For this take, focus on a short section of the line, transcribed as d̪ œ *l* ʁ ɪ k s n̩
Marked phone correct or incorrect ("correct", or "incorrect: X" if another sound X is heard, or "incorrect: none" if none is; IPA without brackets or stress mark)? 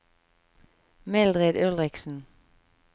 correct